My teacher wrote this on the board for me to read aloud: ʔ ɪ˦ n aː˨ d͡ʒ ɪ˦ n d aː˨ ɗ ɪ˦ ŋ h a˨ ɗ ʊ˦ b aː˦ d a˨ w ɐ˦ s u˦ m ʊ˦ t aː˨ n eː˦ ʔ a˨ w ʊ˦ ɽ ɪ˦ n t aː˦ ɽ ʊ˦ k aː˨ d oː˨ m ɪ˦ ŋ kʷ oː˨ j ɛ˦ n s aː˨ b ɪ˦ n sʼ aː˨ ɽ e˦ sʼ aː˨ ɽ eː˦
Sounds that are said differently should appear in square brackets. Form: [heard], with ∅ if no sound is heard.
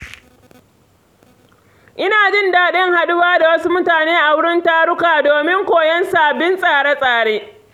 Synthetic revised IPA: ʔ ɪ˦ n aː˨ d͡ʒ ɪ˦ n d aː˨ ɗ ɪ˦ ŋ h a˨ ɗ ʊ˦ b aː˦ d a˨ w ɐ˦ s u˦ m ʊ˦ t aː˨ n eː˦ ʔ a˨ w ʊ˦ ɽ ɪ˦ n t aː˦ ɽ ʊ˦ k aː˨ d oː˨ m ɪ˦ ŋ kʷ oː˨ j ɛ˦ n s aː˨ b ɪ˦ n sʼ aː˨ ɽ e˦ sʼ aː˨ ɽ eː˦

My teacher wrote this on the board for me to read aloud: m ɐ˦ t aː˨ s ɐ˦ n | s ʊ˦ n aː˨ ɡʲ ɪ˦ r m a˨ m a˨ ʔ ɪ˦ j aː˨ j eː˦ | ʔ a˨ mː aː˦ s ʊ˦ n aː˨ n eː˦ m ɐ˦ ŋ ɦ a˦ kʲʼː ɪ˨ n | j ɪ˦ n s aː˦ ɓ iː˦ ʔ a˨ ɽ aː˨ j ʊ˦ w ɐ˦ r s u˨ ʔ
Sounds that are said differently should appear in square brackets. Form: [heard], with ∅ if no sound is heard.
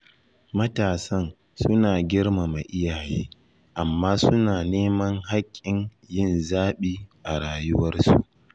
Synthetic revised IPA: m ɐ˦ t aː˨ s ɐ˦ n | s ʊ˦ n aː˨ ɡʲ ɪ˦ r m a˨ m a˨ ʔ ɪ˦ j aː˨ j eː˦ | ʔ a˨ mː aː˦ s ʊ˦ n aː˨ n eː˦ m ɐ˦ ŋ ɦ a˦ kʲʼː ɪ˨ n | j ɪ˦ n [z] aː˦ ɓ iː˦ ʔ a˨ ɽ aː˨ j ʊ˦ w ɐ˦ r s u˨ ʔ

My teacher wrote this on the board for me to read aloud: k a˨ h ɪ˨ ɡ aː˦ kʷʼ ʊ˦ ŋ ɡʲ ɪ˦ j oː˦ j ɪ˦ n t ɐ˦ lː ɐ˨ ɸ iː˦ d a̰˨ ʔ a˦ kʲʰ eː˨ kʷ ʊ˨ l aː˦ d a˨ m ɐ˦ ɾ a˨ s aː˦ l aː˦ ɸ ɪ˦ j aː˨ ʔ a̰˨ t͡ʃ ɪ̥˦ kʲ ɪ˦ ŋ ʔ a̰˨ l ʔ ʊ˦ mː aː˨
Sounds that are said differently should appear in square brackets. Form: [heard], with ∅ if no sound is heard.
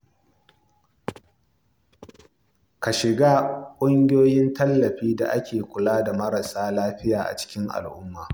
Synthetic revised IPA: k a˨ [ʃ] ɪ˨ ɡ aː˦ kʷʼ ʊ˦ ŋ ɡʲ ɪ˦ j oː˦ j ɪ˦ n t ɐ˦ lː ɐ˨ ɸ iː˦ d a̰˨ ʔ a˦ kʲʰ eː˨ kʷ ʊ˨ l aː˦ d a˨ m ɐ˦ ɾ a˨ s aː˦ l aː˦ ɸ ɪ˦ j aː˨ ʔ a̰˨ t͡ʃ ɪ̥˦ kʲ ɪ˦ ŋ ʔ a̰˨ l ʔ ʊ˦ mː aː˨

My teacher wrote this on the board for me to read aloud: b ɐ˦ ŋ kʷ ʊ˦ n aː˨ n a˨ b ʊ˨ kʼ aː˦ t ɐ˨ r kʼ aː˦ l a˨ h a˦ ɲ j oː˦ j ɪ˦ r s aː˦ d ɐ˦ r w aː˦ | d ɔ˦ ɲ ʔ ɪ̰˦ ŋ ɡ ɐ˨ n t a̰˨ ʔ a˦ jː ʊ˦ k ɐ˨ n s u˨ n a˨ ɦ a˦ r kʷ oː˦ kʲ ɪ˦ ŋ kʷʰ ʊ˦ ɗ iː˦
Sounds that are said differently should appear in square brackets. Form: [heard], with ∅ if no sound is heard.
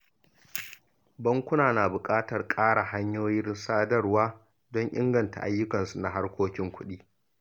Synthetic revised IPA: b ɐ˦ ŋ kʷ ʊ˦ n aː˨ n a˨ b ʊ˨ kʼ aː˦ t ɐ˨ r kʼ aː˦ [ɽ] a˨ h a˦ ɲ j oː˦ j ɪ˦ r s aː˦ d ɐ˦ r w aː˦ | d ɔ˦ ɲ ʔ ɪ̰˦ ŋ ɡ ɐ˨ n t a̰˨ ʔ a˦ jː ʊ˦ k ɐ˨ n s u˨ n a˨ ɦ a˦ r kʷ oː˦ kʲ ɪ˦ ŋ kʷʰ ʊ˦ ɗ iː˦

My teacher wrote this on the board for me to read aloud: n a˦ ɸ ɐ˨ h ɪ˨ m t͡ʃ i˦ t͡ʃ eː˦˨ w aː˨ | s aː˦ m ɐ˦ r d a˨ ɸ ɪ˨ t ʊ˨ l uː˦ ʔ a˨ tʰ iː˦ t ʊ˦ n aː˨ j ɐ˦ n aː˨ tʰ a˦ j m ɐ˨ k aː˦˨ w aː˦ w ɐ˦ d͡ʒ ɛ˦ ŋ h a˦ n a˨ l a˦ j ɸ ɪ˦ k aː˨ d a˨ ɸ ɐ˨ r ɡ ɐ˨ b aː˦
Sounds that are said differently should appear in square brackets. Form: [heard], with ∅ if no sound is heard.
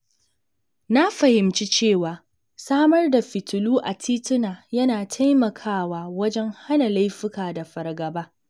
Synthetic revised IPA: n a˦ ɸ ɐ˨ h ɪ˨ m t͡ʃ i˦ t͡ʃ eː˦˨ w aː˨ | s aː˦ m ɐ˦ r d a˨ ɸ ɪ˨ t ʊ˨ l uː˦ ʔ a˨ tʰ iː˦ t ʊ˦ n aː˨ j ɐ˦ n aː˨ tʰ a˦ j m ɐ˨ [kʰ] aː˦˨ w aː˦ w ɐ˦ d͡ʒ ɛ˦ ŋ h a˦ n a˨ l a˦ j ɸ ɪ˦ k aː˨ d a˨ ɸ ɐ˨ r ɡ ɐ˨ b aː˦

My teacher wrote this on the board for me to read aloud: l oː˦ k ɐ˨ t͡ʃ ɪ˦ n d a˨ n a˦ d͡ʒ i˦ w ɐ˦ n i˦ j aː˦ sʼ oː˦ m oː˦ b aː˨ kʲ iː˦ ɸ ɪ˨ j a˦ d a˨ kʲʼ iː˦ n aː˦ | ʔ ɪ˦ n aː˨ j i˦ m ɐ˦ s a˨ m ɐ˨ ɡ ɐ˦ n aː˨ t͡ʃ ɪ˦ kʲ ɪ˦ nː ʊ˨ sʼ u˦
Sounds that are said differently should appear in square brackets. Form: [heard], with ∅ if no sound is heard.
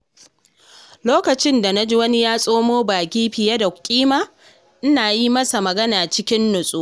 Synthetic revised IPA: l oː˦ k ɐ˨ t͡ʃ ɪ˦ n d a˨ n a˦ d͡ʒ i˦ w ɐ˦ n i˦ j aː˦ sʼ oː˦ m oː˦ b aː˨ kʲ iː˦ ɸ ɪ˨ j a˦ d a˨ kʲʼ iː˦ [m] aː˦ | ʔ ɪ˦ n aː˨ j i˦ m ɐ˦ s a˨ m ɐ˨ ɡ ɐ˦ n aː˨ t͡ʃ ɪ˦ kʲ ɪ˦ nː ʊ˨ sʼ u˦

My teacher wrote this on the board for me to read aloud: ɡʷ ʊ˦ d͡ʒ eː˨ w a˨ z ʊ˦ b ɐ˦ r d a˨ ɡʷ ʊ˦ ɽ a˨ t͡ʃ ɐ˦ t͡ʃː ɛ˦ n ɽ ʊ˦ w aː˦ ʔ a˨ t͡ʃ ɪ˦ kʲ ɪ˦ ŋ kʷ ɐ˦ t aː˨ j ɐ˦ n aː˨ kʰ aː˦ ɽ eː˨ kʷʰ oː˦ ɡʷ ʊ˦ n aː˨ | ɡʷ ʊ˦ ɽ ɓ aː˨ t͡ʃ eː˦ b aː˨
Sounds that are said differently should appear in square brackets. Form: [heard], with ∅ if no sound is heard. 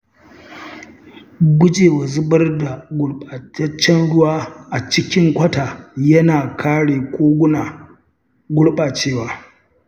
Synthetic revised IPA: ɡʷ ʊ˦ d͡ʒ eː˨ w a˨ z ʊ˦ b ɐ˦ r d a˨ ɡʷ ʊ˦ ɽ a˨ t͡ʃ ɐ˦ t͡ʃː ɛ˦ n ɽ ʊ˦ w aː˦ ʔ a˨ t͡ʃ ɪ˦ kʲ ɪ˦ ŋ kʷ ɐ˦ t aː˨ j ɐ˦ n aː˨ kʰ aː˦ ɽ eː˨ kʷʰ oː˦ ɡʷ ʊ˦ n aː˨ | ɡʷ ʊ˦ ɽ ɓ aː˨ t͡ʃ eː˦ [w] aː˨

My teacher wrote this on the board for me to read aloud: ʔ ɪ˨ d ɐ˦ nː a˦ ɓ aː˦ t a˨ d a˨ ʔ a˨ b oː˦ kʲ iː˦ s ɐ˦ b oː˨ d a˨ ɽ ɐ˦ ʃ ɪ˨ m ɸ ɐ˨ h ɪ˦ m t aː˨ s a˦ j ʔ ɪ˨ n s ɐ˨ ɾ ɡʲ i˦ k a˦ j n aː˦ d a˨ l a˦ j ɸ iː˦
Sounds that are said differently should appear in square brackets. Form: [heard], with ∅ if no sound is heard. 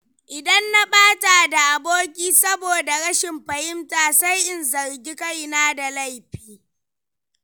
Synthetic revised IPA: ʔ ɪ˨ d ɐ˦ nː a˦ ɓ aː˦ t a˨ d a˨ ʔ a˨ b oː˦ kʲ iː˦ s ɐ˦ b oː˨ d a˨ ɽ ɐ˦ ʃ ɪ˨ m ɸ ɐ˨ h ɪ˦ m t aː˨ s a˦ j ʔ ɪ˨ n [z] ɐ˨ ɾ ɡʲ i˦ k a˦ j n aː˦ d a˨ l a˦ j ɸ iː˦

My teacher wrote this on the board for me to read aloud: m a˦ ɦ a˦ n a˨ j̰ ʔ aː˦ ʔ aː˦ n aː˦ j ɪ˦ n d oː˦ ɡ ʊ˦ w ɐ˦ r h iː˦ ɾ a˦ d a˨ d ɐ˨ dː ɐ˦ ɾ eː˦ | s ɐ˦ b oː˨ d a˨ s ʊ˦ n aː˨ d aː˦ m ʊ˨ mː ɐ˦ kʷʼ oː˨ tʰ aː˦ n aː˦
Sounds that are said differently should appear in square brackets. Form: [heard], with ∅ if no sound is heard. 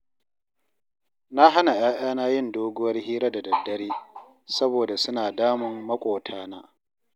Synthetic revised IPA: [n] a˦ ɦ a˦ n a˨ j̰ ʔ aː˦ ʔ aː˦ n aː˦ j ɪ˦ n d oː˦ ɡ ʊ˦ w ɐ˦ r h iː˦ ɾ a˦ d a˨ d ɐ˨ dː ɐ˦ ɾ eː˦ | s ɐ˦ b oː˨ d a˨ s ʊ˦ n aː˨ d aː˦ m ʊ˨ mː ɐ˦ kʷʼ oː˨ tʰ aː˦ n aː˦

